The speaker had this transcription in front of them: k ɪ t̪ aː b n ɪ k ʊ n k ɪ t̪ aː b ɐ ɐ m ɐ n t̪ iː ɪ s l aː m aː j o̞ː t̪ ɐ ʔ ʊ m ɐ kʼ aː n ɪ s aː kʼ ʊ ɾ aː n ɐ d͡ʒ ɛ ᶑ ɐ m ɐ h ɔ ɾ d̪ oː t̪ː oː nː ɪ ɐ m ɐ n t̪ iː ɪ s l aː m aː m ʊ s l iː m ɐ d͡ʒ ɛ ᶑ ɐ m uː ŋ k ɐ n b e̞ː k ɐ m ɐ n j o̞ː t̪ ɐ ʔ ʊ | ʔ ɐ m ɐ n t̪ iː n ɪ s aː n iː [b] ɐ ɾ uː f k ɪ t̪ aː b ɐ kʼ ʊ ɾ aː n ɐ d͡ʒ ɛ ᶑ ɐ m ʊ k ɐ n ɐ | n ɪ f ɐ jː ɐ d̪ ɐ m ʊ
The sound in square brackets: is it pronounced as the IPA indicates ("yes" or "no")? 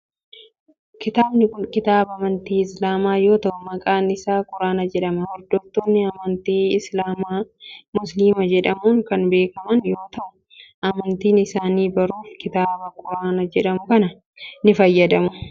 yes